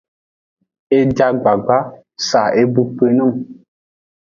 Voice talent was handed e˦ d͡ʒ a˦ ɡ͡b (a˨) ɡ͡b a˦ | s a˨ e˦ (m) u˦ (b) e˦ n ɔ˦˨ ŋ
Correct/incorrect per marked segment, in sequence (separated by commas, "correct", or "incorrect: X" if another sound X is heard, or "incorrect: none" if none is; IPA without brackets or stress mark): correct, incorrect: b, incorrect: p